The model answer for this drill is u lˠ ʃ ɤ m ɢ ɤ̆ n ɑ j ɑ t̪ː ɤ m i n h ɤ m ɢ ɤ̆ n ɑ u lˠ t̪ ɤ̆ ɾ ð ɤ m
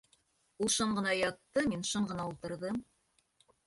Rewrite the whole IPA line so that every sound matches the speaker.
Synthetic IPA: u lˠ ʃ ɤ ɴ ɢ ɤ̆ n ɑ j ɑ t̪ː ɤ m i n ʃ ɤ ɴ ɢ ɤ̆ n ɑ u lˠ t̪ ɤ̆ ɾ ð ɤ m